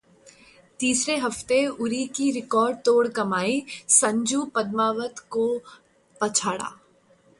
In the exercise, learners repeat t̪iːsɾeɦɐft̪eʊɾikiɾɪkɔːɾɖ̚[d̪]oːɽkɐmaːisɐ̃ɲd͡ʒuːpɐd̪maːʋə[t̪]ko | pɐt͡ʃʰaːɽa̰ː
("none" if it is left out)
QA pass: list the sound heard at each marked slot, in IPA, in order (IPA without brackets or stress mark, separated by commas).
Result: t̪, t̪